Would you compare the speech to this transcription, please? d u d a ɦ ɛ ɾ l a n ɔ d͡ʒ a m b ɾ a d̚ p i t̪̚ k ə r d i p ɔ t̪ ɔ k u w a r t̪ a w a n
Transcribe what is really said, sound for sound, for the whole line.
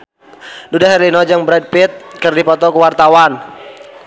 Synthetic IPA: d u d a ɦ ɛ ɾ l i n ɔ d͡ʒ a ŋ b ɾ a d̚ p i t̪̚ k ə r d i p ɔ t̪ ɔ k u w a r t̪ a w a n